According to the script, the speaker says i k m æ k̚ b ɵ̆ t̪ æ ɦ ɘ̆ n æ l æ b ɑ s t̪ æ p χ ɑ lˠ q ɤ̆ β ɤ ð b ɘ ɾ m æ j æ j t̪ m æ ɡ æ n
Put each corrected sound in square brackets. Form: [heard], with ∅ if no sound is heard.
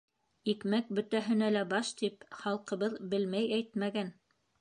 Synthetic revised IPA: i k m æ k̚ b ɵ̆ t̪ æ ɦ ɘ̆ n æ l æ b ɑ [ʃ] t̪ [i] p χ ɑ lˠ q ɤ̆ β ɤ ð b ɘ [l] m æ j æ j t̪ m æ ɡ æ n